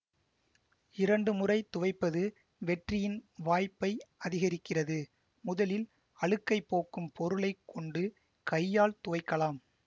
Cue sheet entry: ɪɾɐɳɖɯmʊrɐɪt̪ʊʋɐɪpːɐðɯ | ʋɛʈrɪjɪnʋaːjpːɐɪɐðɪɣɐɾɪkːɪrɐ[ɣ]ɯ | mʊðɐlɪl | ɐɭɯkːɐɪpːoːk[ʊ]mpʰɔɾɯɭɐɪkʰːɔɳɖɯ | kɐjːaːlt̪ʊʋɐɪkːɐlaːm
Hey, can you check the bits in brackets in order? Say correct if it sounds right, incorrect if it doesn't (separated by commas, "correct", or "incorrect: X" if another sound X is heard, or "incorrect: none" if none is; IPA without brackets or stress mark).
incorrect: ð, incorrect: ɯ